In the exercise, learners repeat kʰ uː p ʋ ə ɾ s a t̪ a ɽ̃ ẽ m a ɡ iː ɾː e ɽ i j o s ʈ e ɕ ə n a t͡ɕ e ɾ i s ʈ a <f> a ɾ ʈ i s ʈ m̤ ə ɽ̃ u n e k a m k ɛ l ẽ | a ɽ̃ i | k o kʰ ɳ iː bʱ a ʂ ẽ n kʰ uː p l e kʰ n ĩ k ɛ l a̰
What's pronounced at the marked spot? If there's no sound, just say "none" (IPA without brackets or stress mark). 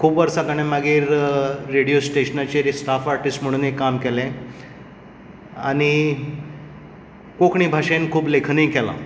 f